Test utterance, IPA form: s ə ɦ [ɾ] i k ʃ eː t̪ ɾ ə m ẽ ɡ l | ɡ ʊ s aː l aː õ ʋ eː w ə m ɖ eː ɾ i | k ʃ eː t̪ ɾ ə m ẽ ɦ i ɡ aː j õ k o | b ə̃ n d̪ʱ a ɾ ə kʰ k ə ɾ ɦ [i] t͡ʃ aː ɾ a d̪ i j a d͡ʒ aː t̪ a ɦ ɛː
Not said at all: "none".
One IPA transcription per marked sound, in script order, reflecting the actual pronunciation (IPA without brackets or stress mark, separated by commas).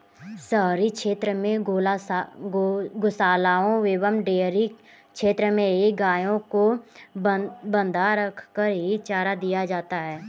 ɾ, i